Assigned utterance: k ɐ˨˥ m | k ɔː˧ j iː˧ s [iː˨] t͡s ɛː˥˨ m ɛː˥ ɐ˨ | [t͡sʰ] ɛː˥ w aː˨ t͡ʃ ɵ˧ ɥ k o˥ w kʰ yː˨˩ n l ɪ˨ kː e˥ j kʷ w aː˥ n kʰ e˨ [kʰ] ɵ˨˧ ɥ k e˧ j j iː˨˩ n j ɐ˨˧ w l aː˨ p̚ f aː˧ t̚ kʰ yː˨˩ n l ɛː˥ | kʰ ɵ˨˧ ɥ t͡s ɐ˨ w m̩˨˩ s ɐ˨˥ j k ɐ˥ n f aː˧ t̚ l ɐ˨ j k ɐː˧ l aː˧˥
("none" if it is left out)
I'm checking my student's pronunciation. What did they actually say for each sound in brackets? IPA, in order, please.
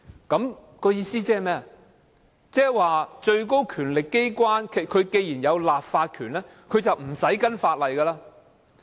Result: iː˥, t͡s, kʰ

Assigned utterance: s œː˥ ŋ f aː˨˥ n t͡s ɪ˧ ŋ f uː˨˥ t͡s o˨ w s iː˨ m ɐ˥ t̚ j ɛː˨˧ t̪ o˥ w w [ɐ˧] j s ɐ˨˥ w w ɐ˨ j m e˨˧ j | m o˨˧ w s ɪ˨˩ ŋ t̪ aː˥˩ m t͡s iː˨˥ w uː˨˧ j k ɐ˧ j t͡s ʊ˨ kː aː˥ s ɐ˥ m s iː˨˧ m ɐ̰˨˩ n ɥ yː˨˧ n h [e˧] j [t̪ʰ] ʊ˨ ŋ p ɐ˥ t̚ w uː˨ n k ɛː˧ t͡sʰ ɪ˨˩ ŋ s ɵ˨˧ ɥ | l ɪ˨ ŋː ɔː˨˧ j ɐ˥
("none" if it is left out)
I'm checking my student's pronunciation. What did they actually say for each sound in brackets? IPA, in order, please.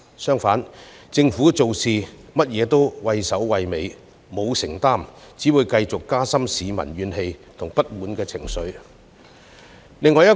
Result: ɐ˧, e˧, t̪ʰ

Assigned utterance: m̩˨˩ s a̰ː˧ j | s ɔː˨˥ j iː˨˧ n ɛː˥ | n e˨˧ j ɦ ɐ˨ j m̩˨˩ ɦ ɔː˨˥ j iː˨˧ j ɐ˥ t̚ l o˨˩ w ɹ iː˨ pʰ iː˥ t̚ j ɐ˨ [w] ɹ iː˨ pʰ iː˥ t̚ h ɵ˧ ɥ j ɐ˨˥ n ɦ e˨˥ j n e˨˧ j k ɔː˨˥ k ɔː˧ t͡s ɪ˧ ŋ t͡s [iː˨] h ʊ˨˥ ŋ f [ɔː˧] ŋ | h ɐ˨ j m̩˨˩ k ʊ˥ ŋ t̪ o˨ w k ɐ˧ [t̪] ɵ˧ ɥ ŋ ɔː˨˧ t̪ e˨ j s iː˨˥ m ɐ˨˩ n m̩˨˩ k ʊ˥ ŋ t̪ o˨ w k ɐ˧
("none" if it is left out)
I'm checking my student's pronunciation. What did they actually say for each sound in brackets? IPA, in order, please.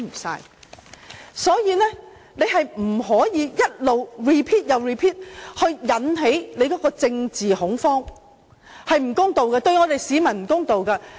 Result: w, iː˨, ɔː˥, t̪

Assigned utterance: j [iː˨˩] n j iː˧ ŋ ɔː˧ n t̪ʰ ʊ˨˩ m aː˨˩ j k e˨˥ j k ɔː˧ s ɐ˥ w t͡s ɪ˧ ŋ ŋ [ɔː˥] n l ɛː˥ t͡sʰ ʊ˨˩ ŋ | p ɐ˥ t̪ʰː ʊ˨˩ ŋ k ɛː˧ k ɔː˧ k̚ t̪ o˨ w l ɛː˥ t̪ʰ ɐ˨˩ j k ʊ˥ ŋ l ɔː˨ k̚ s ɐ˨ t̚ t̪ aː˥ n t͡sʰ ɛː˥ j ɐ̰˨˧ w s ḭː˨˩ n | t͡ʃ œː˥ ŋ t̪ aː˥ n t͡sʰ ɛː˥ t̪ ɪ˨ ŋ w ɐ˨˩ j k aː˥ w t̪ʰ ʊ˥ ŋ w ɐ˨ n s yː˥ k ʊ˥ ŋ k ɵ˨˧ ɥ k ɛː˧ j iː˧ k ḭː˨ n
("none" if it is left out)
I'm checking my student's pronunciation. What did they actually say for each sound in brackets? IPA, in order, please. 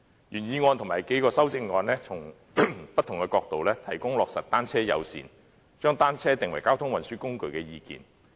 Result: yː˨˩, ɔː˧

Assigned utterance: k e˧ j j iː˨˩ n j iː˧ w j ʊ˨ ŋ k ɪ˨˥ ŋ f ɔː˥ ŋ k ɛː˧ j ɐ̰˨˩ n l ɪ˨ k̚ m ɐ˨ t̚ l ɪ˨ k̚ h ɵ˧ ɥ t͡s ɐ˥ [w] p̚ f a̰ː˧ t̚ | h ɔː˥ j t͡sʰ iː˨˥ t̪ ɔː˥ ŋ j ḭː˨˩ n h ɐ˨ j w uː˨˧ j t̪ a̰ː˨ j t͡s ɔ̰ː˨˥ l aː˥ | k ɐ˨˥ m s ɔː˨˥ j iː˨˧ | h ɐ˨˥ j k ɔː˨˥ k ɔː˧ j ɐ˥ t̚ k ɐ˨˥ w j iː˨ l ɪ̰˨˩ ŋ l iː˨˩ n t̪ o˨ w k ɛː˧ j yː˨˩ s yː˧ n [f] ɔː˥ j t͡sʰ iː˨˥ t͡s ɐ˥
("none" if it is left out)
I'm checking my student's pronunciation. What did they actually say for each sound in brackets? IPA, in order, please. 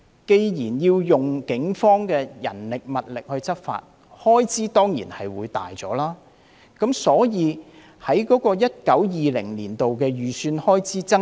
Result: none, h

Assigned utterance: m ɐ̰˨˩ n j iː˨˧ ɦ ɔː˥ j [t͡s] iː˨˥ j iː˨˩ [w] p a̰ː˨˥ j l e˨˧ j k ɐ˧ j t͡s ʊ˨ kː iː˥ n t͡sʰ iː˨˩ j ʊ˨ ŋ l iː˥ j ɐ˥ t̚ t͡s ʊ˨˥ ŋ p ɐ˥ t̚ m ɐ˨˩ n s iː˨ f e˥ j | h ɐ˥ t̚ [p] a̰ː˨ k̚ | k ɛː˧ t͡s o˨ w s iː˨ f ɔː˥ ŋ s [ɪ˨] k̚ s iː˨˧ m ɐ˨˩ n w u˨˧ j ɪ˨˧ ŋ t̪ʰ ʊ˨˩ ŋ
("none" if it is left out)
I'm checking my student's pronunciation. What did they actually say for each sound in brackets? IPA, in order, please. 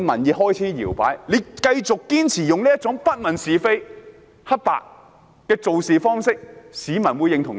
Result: t͡sʰ, w, p, ɪ˥

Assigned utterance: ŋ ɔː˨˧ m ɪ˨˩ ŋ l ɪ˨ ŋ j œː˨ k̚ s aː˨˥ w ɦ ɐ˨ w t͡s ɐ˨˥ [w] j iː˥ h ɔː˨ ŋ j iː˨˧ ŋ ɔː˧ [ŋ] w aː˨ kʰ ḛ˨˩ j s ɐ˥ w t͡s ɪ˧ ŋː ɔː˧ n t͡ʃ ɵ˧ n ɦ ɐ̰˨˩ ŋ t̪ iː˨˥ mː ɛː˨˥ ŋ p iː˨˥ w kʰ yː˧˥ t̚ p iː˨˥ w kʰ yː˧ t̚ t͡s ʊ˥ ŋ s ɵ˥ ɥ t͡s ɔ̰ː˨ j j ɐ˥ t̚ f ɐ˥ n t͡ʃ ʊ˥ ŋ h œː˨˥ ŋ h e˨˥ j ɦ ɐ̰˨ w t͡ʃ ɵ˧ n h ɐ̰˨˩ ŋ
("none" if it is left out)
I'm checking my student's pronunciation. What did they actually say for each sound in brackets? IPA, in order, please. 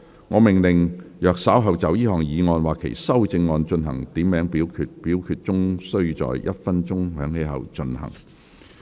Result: w, n

